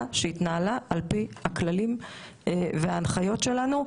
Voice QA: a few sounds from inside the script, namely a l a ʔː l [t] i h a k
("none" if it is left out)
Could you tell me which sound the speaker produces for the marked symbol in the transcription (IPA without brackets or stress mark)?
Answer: p